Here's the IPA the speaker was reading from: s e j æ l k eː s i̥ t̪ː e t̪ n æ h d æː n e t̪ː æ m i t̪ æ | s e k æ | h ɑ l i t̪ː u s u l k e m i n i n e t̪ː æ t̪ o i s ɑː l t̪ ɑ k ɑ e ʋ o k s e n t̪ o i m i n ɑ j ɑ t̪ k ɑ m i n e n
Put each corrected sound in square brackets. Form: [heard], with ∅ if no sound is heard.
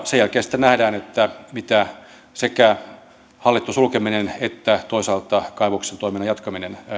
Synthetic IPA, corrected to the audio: s e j æ l k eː s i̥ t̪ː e [∅] n æ h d æː n e t̪ː æ m i t̪ æ | s e k æ | h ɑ [lː] i t̪ː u s u l k e m i n [e] n e t̪ː æ t̪ o i s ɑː l t̪ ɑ k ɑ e ʋ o k s e n t̪ o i m i n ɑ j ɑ t̪ k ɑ m i n e n